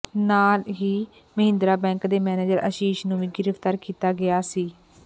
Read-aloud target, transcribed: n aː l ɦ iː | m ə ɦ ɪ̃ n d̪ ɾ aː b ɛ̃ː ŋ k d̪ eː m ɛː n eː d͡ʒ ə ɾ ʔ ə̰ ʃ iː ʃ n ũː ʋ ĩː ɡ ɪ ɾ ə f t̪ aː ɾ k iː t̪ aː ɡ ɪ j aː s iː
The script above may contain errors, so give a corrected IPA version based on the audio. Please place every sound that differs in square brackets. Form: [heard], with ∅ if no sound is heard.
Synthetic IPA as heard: n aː l ɦ iː | m ə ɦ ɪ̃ n d̪ ɾ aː b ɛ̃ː ŋ k d̪ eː m ɛː n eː d͡ʒ ə ɾ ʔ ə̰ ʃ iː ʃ n ũː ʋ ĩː ɡ ɪ ɾ ə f t̪ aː ɾ k iː t̪ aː ɡ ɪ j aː s iː